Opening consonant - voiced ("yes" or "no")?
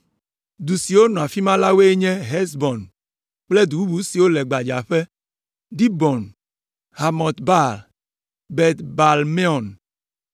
yes